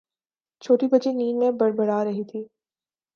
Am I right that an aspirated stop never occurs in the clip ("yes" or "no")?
no